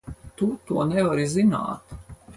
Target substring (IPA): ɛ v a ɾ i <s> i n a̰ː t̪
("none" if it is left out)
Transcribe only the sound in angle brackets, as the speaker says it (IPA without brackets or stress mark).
z